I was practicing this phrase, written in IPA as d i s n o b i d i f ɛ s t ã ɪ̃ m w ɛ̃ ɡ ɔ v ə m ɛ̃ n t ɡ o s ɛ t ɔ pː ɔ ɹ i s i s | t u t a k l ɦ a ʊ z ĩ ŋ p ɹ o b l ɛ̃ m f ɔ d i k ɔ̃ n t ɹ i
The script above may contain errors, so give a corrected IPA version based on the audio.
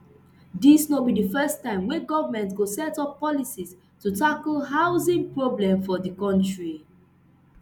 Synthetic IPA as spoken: d i s n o b i d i f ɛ s t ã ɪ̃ m w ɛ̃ ɡ ɔ v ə m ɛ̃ n t ɡ o s ɛ t ɔ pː ɔ l i s i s | t u t a k l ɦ a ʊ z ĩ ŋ p ɹ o b l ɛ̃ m f ɔ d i k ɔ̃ n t ɹ i

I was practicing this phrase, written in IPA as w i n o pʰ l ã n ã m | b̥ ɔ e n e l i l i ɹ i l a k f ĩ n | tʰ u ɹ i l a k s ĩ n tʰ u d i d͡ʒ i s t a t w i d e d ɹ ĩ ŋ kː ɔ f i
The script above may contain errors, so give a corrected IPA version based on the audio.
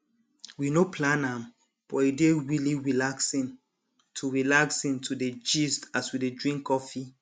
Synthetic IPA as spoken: w i n o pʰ l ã n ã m | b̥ ɔ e d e ɹ i l i ɹ i l a k s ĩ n | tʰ u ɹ i l a k s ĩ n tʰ u d e d͡ʒ i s t a s w i d e d ɹ ĩ ŋ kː ɔ f i

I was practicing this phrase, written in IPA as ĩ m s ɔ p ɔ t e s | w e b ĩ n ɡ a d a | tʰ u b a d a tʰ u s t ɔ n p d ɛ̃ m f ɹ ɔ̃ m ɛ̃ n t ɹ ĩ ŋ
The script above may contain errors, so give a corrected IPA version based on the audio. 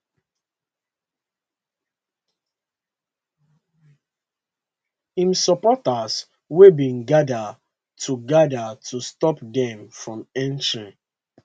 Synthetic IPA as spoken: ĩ m s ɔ p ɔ t a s | w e b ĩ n ɡ a d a | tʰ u ɡ a d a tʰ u s t ɔ p d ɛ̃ m f ɹ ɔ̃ m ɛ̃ n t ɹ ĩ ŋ

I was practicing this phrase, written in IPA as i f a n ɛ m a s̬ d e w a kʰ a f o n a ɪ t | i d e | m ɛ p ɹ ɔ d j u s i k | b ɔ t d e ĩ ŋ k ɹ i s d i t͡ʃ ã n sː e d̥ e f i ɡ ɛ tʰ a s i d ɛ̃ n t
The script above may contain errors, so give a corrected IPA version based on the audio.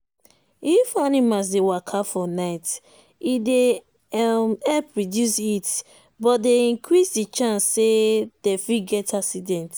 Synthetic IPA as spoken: i f a n i m a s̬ d e w a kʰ a f ɔ n a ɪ t | i d e | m ɛ p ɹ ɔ d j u s i t | b ɔ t d e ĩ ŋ k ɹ i s d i t͡ʃ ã n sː e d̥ e f i ɡ ɛ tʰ a s i d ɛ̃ n t

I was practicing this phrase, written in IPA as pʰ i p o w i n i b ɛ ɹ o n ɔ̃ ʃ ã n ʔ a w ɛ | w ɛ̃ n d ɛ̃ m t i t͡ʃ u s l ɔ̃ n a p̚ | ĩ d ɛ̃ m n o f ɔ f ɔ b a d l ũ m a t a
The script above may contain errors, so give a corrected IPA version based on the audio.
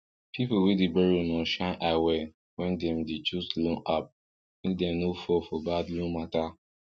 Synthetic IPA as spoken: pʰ i p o w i d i b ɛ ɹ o n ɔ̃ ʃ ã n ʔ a w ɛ | w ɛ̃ n d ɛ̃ m d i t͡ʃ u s l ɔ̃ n a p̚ | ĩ d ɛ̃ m n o f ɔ f ɔ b a d l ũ m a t a

